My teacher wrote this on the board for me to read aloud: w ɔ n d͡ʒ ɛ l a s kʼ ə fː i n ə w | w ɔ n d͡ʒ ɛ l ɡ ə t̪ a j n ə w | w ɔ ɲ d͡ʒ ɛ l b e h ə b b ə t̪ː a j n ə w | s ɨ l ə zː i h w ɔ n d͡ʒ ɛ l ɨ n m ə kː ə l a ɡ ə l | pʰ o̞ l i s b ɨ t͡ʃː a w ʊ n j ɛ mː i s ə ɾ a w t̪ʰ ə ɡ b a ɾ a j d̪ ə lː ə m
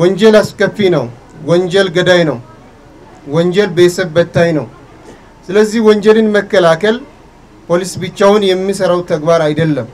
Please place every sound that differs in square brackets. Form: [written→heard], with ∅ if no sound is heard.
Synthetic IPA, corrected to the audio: w ɔ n d͡ʒ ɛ l a s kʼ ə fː i n ə w | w ɔ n d͡ʒ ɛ l ɡ ə [t̪→d̪] a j n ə w | w ɔ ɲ d͡ʒ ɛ l b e [h→s] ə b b ə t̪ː a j n ə w | s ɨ l ə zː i h w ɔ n d͡ʒ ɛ l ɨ n m ə kː ə l a [ɡ→k] ə l | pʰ o̞ l i s b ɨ t͡ʃː a w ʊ n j ɛ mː i s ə ɾ a w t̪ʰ ə ɡ b a ɾ a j d̪ ə lː ə m